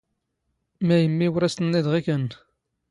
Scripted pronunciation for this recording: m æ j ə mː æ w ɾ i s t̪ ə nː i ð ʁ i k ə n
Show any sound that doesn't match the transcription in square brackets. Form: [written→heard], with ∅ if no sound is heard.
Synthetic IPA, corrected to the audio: m æ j ə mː [æ→i] w ɾ [i→æ] s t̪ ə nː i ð ʁ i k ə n

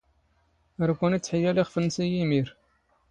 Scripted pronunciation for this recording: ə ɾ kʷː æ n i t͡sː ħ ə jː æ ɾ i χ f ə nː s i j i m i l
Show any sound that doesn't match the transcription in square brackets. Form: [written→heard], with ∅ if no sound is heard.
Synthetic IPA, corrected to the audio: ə ɾ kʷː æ n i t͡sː ħ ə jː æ [ɾ→l] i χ f ə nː s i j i m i [l→ɾ]

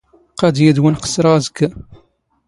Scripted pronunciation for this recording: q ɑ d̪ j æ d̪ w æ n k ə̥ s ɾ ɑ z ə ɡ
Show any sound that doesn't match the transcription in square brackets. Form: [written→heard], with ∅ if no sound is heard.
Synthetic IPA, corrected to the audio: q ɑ d̪ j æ d̪ w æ n [k→q] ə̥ s ɾ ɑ z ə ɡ

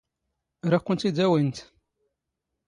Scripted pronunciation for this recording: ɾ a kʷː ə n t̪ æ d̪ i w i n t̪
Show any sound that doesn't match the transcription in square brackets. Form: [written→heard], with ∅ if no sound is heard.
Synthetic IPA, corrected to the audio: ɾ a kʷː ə n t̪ [æ→i] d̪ [i→æ] w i n t̪

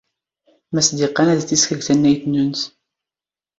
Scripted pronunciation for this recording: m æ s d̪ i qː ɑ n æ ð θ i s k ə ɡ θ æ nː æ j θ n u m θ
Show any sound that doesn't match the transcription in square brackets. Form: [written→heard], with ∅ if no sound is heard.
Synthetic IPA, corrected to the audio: m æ s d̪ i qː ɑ n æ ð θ i s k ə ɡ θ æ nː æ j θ n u [m→n] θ

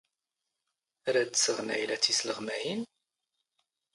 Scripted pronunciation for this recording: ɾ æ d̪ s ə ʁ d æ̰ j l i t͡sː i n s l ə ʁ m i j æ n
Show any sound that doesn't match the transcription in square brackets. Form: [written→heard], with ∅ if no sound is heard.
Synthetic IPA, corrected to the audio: ɾ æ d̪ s ə ʁ [d→n] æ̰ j l [i→æ] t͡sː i [n→∅] s l ə ʁ m [i→æ] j [æ→i] n

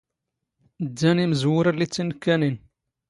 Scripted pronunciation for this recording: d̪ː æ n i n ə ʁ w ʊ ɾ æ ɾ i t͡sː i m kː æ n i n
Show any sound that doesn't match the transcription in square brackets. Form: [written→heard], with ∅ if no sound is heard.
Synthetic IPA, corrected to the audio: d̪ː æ n i [n→m] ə [ʁ→z] w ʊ ɾ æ [ɾ→l] i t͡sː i [m→n] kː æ n i n

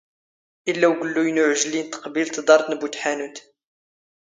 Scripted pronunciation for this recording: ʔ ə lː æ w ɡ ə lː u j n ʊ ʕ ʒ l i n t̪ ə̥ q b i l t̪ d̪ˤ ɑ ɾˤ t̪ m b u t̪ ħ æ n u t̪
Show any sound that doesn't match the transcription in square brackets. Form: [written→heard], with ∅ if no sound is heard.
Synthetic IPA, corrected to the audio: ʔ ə lː æ w ɡ ə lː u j n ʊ ʕ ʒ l i n t̪ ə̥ q b i l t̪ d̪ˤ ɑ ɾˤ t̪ [m→n] b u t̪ ħ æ n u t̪

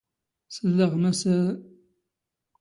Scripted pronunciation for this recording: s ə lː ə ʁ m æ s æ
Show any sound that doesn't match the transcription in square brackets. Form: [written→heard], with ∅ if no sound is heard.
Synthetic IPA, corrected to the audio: s ə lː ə ʁ m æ s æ

